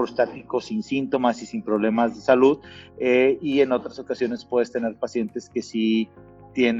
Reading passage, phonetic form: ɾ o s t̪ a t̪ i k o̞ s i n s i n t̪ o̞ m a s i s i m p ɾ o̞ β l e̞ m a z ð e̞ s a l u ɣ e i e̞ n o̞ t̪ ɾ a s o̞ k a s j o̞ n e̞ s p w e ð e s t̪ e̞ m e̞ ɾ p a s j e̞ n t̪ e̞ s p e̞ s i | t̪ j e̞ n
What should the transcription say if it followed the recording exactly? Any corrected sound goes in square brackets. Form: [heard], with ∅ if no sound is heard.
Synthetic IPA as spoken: ɾ o s t̪ a t̪ i k o̞ s i n s i n t̪ o̞ m a s i s i m p ɾ o̞ β l e̞ m a z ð e̞ s a l u [ð] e i e̞ n o̞ t̪ ɾ a s o̞ k a s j o̞ n e̞ s p w e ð e s t̪ e̞ [n] e̞ ɾ p a s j e̞ n t̪ e̞ s [k] e̞ s i | t̪ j e̞ n